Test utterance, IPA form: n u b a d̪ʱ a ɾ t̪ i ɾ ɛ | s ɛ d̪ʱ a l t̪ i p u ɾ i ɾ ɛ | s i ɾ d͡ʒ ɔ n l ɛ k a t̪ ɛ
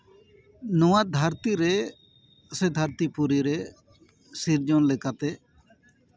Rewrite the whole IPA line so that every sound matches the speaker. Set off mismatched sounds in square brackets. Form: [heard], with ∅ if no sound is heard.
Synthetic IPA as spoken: n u [w] a d̪ʱ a ɾ t̪ i ɾ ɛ | s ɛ d̪ʱ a [ɾ] t̪ i p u ɾ i ɾ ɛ | s i ɾ d͡ʒ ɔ n l ɛ k a t̪ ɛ